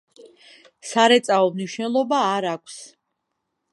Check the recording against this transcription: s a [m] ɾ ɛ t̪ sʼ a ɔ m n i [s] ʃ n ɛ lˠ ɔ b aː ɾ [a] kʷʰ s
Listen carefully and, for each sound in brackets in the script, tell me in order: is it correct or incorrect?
incorrect, incorrect, correct

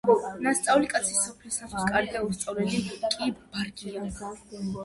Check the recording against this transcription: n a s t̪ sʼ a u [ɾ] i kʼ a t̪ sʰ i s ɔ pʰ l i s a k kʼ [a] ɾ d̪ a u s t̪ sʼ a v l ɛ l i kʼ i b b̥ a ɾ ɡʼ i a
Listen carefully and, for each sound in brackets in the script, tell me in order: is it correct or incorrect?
incorrect, correct

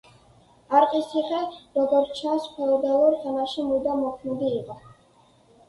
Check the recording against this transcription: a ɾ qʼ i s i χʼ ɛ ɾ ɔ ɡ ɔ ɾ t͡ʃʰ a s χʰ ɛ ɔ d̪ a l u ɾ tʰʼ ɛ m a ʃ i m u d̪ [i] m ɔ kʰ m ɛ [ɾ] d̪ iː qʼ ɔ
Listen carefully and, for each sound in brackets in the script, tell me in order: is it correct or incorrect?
incorrect, incorrect

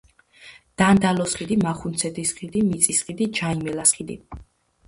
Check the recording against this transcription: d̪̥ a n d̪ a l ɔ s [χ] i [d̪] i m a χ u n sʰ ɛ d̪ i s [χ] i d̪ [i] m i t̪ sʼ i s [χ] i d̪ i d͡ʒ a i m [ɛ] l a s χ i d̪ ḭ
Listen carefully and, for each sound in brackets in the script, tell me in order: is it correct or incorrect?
correct, correct, correct, correct, correct, correct

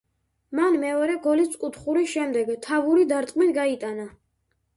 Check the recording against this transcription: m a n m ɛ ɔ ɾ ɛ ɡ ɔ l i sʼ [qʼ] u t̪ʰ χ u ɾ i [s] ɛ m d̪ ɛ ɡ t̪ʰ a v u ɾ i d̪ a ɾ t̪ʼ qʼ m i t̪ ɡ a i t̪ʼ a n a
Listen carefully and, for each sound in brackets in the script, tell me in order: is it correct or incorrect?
incorrect, incorrect

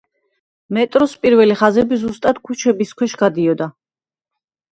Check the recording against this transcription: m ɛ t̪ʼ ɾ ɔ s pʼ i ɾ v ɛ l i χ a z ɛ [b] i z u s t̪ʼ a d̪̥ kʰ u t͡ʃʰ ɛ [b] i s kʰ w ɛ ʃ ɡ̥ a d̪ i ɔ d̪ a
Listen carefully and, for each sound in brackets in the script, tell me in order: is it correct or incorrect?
correct, correct

